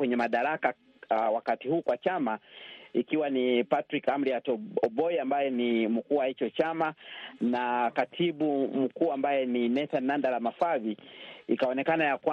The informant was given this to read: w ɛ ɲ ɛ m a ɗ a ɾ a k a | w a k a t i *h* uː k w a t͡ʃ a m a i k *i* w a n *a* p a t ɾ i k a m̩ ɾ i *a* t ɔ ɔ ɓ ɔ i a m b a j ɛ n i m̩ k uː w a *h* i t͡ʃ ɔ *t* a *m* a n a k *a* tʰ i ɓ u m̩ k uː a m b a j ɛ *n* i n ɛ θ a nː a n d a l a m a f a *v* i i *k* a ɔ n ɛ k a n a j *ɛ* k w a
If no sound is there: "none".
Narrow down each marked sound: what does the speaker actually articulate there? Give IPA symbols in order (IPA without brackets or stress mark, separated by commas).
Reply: h, i, i, a, h, t͡ʃ, m, a, n, v, k, a